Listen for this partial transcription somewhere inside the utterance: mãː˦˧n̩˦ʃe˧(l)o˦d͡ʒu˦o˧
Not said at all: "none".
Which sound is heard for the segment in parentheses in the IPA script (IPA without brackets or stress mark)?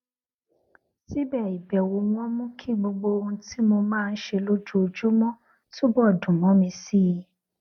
l